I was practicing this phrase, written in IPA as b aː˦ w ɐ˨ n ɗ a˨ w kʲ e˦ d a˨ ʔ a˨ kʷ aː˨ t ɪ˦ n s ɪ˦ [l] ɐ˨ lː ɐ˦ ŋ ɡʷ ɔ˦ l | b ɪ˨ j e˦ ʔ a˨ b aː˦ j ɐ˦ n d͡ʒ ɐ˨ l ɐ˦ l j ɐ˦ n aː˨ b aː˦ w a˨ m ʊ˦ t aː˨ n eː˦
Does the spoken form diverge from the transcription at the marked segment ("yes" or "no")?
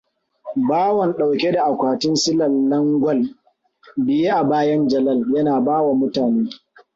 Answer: no